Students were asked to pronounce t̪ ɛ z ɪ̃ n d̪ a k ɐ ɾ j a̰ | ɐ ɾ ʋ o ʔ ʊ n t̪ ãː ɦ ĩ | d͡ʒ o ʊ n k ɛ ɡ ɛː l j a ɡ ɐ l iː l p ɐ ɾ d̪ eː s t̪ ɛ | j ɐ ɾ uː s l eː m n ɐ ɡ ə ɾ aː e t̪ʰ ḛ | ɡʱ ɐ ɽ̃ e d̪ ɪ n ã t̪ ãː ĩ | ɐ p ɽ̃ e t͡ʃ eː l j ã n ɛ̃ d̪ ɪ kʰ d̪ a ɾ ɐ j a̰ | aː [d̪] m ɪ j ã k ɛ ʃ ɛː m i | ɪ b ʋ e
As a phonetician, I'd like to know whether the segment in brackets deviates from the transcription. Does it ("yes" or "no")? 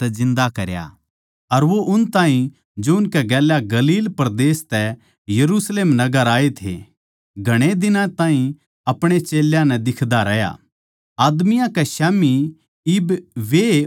no